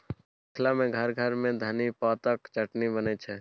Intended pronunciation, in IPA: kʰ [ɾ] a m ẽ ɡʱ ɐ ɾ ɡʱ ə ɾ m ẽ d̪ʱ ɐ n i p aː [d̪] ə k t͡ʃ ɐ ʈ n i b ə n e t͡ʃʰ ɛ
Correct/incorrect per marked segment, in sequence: incorrect, incorrect

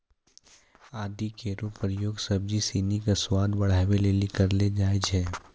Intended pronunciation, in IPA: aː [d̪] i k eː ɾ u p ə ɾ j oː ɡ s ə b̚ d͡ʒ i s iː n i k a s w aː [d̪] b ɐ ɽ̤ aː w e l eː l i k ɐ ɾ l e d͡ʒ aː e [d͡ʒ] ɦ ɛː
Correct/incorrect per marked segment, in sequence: correct, correct, correct

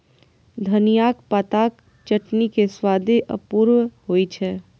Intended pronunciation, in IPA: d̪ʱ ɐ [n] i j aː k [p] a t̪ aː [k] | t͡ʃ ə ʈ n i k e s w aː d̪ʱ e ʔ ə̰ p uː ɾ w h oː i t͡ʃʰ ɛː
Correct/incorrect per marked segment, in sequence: correct, correct, correct

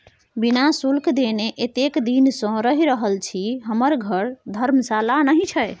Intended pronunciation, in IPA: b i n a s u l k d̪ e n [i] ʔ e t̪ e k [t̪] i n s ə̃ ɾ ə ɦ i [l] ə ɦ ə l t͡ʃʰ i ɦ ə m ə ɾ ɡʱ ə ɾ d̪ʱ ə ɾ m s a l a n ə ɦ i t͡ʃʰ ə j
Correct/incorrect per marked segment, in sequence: incorrect, incorrect, incorrect

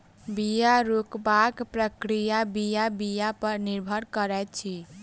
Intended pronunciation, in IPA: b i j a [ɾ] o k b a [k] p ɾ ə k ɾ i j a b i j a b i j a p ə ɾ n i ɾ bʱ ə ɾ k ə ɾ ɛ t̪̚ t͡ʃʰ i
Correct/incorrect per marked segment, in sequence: correct, correct

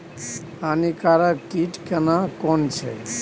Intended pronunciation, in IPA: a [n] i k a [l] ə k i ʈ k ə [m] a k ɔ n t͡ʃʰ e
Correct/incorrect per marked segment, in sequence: correct, incorrect, incorrect

